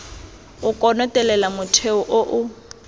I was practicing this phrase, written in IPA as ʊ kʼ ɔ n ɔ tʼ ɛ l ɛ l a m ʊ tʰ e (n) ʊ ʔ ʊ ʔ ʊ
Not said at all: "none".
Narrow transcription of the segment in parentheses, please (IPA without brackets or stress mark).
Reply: none